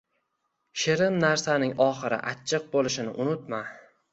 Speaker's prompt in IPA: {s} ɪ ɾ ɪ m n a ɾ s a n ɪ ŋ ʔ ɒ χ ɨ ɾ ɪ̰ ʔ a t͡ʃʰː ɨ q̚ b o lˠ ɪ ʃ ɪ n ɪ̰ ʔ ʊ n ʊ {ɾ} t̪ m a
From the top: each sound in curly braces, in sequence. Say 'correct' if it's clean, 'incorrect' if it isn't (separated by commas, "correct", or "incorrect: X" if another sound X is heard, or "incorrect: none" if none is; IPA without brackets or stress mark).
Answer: incorrect: ʃ, incorrect: none